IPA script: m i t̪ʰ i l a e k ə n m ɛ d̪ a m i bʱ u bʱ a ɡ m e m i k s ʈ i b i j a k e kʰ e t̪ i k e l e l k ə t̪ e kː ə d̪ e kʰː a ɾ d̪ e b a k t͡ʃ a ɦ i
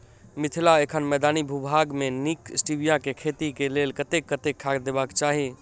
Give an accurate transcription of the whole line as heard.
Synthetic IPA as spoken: m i t̪ʰ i l a e kʰ ə n m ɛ d̪ a n i bʱ u bʱ a ɡ m e n i k s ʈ i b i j a k e kʰ e t̪ i k e l e l k ə t̪ e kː ə t̪ e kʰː a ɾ d̪ e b a k t͡ʃ a ɦ i